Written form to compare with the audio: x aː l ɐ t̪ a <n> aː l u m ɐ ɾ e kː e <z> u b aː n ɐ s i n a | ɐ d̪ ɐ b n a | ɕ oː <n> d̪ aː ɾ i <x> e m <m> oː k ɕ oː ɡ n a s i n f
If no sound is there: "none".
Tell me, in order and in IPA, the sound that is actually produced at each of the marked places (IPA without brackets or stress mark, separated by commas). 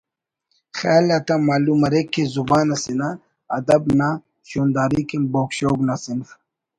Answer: m, z, n, k, b